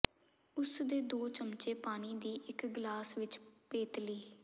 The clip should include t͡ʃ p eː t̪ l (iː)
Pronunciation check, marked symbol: correct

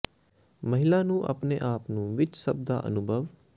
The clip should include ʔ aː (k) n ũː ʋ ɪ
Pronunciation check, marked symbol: incorrect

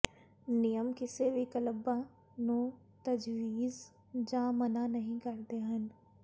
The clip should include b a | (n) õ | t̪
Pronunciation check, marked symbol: correct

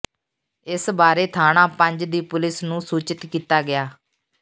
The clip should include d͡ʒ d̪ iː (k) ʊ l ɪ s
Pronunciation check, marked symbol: incorrect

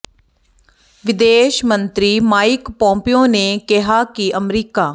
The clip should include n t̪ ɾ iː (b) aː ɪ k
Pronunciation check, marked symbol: incorrect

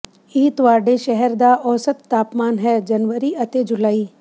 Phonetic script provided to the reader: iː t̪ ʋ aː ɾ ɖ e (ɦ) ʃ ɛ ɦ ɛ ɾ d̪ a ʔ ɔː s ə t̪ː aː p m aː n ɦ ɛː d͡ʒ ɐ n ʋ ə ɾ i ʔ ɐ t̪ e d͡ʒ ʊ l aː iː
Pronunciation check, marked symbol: incorrect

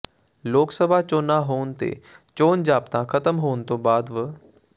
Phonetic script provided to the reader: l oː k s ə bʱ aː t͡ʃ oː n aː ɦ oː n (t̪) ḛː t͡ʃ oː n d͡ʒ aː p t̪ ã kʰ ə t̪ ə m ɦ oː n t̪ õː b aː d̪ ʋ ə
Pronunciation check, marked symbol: correct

